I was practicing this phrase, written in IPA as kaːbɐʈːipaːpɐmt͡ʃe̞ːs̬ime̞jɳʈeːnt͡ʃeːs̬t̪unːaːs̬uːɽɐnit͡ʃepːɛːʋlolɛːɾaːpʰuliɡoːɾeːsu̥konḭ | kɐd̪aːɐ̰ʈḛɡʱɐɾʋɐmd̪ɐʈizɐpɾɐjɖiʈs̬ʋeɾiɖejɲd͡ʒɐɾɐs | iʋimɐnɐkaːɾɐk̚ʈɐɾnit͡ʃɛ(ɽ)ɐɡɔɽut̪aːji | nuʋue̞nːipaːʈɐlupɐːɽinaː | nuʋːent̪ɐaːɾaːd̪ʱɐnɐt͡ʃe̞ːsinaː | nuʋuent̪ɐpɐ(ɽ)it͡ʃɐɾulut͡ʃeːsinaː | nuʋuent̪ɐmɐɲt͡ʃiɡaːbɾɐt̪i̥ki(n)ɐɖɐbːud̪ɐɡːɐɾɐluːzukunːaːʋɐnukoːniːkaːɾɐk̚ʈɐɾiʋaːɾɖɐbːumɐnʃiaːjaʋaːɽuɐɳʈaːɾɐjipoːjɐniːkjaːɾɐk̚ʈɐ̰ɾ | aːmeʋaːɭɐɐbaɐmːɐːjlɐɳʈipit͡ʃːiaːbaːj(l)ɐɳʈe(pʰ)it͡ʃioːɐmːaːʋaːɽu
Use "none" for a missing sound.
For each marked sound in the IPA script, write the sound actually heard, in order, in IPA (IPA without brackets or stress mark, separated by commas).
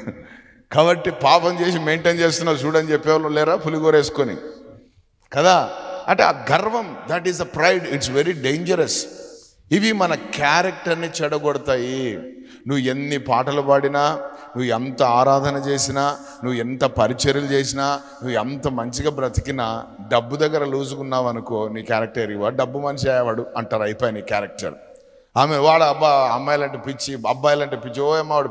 ɽ, ɾ, n, l, p